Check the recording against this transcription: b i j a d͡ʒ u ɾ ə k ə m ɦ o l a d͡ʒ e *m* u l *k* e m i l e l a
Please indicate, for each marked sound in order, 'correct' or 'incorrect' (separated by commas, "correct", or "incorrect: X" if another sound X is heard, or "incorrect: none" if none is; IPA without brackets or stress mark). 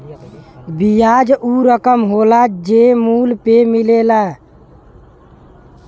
correct, incorrect: p